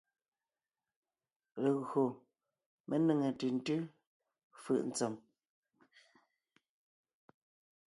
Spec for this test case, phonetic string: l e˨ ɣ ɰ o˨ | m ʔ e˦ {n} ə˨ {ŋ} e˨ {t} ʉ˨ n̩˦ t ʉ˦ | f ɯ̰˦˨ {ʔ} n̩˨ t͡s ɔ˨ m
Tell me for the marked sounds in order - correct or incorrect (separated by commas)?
correct, correct, correct, correct